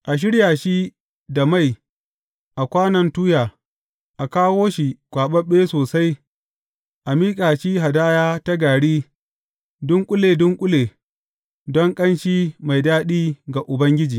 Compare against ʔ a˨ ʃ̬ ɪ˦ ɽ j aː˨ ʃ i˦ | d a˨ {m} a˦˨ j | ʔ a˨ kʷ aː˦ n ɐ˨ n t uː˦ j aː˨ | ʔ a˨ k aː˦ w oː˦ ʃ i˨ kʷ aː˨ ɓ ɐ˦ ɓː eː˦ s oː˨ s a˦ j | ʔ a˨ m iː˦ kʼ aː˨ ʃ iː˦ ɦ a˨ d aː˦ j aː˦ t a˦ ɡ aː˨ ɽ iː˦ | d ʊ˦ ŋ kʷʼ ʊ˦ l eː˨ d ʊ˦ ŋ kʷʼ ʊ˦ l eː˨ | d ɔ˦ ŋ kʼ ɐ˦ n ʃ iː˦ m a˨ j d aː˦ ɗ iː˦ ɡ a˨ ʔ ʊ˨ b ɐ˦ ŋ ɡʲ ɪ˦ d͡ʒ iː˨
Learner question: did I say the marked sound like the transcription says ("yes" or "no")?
yes